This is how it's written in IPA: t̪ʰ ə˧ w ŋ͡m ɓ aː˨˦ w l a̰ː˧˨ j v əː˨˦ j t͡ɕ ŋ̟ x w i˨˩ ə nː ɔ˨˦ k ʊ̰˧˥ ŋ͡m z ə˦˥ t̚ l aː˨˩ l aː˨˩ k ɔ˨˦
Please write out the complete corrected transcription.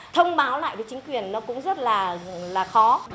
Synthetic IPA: t̪ʰ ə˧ w ŋ͡m ɓ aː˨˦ w l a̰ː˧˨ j v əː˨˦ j t͡ɕ ŋ̟ k w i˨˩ ə nː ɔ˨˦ k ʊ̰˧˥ ŋ͡m z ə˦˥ t̚ l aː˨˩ l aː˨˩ x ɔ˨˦